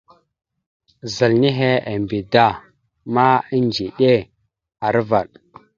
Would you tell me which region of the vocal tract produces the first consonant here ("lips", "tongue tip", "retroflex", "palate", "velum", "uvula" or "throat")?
tongue tip